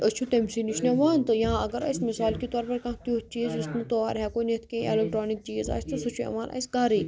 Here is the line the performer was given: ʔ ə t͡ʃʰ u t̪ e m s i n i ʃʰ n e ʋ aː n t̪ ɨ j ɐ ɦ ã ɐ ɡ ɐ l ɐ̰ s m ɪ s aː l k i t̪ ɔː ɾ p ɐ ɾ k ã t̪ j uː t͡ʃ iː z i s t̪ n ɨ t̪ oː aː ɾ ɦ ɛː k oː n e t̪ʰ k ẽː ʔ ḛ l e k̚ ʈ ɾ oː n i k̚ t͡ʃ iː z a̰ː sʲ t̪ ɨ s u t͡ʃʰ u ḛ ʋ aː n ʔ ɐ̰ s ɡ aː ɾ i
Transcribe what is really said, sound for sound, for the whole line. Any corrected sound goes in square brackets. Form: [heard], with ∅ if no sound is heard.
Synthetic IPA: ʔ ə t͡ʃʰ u t̪ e m s i n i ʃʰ n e ʋ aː n t̪ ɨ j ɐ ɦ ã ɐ ɡ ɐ [ɾ] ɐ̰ s m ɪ s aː l k i t̪ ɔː ɾ p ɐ ɾ k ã t̪ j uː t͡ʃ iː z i s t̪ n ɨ t̪ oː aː ɾ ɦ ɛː k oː n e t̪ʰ k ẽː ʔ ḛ l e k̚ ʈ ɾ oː n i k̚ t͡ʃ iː z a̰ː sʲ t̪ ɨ s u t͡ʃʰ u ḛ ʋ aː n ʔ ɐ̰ s ɡ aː ɾ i

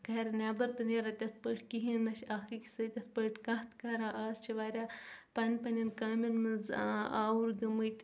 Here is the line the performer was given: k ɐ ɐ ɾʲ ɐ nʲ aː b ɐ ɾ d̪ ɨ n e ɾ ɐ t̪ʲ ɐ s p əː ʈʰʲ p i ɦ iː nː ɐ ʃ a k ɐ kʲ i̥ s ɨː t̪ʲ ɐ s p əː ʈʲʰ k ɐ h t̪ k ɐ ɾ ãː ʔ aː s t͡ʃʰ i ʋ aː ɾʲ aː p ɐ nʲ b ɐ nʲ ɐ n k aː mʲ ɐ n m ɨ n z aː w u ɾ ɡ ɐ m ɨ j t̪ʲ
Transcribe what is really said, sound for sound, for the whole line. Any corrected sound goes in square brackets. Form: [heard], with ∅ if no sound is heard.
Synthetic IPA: k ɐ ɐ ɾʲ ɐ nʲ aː b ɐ ɾ [t̪] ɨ n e ɾ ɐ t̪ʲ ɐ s p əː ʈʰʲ [k] i ɦ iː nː ɐ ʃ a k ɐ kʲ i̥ s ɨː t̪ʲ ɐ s p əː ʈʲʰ k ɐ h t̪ k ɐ ɾ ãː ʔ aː s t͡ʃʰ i ʋ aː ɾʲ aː p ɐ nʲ [p] ɐ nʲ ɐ n k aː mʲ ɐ n m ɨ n z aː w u ɾ ɡ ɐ m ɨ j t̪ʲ

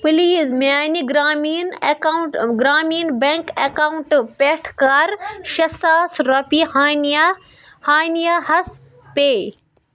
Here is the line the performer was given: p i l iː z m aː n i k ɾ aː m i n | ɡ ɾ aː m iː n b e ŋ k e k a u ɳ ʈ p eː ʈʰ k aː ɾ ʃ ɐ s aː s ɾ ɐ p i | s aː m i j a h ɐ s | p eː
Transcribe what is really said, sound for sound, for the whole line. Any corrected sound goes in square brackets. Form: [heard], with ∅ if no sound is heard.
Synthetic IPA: p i l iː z m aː n i [ɡ] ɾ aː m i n | ɡ ɾ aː m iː n b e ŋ k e k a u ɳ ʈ p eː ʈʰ k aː ɾ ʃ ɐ s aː s ɾ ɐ p i | [h] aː [n] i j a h ɐ s | p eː

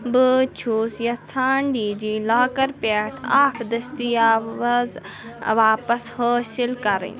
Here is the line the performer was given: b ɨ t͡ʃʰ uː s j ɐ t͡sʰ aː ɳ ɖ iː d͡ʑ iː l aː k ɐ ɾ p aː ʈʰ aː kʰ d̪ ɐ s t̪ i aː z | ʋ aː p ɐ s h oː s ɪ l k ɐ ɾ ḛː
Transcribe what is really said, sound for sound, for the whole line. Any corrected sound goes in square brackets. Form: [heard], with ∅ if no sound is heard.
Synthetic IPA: b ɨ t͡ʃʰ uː s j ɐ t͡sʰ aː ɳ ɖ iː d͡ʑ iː l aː k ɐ ɾ p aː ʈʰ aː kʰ d̪ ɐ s t̪ i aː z | ʋ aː p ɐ s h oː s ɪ l k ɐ ɾ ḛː

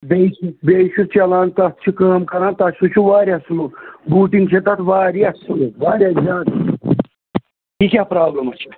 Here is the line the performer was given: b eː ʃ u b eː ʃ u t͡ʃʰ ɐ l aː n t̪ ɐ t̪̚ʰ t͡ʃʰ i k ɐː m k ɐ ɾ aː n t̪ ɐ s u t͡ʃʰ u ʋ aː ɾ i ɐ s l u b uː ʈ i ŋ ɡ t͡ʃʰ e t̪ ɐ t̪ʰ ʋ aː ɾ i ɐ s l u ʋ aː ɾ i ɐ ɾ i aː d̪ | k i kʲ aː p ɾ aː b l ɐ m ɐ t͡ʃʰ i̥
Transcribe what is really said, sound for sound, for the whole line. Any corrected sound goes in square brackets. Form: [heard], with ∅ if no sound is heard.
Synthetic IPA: b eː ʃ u b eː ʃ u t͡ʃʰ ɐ l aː n t̪ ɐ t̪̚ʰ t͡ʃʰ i k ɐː m k ɐ ɾ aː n t̪ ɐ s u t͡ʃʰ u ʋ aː ɾ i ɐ s l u b uː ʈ i ŋ ɡ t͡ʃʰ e t̪ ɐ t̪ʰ ʋ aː ɾ i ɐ s l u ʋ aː ɾ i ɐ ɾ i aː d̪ | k i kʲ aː p ɾ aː b l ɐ m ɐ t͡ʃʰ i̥

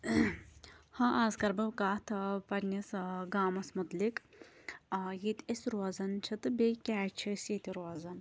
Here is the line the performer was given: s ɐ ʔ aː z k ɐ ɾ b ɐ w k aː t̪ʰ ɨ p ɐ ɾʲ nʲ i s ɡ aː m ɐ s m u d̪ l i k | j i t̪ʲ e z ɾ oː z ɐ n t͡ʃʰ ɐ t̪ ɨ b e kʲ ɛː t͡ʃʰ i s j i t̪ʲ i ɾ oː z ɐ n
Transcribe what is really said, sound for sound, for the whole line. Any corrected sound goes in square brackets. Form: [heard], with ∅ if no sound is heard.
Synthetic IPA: [h] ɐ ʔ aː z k ɐ ɾ b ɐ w k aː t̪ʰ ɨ p ɐ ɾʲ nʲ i s ɡ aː m ɐ s m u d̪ l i k | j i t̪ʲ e [s] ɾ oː z ɐ n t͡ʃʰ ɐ t̪ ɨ b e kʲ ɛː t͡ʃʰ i s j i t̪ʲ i ɾ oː z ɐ n

